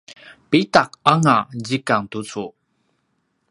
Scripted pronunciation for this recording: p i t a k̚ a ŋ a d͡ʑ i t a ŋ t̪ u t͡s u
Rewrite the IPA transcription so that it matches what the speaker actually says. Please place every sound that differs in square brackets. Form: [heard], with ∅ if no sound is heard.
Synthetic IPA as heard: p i t a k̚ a ŋ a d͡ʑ i [k] a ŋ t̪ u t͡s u